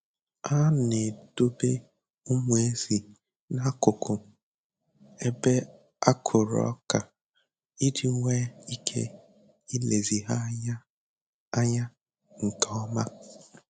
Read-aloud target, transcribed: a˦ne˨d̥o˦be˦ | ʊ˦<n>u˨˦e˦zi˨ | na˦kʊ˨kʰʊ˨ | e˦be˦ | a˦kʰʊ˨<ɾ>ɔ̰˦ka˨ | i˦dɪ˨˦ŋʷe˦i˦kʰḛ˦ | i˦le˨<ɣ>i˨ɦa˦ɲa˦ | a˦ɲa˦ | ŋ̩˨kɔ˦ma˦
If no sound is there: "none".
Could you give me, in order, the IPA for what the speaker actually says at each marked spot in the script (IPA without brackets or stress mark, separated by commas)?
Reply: m, ɾ, z